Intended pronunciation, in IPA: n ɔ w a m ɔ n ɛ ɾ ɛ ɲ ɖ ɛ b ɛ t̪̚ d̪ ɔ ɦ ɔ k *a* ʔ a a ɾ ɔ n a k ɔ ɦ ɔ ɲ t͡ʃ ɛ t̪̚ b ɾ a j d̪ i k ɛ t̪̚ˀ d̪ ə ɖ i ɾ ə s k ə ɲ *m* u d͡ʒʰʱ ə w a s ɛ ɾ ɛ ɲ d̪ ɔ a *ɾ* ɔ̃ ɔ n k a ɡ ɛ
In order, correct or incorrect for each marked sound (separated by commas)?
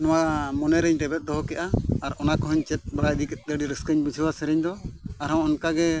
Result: incorrect, incorrect, correct